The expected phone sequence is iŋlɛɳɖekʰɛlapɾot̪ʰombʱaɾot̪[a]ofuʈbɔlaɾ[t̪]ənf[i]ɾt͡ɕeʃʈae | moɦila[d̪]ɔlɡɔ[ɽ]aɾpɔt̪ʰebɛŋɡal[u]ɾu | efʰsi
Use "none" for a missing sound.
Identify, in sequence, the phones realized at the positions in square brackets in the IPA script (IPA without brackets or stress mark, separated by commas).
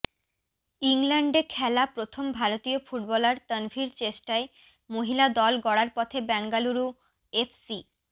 i, t̪, i, d̪, ɽ, u